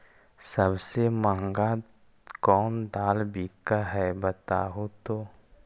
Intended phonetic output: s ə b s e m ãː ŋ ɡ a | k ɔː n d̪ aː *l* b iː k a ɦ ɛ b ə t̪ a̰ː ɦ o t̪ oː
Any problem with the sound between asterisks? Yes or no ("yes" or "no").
no